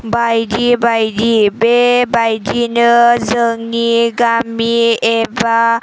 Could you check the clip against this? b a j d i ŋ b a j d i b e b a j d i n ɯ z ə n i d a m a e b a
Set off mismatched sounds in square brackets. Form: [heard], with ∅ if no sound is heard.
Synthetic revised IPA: b a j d i [∅] b a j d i b e b a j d i n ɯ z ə [ŋ] i [ɡ] a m [i] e b a

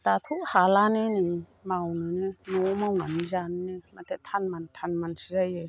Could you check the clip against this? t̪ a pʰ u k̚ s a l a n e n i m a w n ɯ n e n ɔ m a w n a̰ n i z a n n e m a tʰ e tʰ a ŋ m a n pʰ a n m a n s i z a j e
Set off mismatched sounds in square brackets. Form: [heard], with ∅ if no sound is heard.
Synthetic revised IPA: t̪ a [tʰ] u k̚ [h] a l a n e n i m a w n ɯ n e n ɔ m a w n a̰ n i z a n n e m a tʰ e tʰ a [n] m a n [tʰ] a n m a n s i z a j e

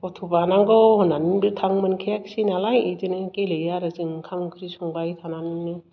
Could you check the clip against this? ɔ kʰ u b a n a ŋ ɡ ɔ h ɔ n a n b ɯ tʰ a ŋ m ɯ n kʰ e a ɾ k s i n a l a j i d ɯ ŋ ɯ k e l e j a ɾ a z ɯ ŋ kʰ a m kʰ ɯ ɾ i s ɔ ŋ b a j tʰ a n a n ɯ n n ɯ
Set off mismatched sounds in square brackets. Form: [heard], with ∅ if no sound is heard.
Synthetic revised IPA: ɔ [tʰ] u b a n a ŋ ɡ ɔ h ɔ n a n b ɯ tʰ a ŋ m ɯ n kʰ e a [∅] k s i n a l a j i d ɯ [n] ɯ k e l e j a ɾ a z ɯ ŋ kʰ a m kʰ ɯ ɾ i s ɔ ŋ b a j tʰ a n a n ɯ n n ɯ

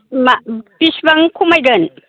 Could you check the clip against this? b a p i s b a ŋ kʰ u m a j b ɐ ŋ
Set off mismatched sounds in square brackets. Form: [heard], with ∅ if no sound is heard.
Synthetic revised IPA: [m] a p i s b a ŋ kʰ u m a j [ɡ] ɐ [n]

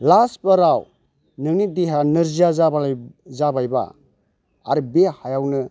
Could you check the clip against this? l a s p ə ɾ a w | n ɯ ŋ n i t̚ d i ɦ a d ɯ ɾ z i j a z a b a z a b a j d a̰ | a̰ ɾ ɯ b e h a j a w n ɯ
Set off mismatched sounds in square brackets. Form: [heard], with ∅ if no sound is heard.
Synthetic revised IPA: l a s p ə ɾ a w | n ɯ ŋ n i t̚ d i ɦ a [n] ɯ ɾ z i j a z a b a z a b a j [b] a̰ | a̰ ɾ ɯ b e h a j a w n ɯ

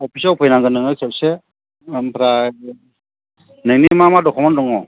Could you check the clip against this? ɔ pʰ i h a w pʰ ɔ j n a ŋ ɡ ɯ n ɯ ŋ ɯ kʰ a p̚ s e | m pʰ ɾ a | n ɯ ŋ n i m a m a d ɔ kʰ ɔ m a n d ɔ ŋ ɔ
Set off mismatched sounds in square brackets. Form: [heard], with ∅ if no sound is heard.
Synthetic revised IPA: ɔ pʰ i [s] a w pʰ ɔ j n a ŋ ɡ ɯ n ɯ ŋ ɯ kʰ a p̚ s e | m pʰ ɾ a | n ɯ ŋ n i m a m a d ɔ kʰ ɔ m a n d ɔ ŋ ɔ

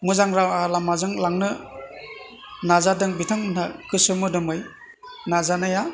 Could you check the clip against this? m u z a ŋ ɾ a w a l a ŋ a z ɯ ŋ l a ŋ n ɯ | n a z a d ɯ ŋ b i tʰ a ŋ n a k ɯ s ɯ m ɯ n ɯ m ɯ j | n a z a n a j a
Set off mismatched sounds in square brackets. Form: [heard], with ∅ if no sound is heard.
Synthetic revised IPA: m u z a ŋ ɾ a w a l a [m] a z ɯ ŋ l a ŋ n ɯ | n a z a d ɯ ŋ b i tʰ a ŋ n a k ɯ s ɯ m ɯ [d] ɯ m ɯ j | n a z a n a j a

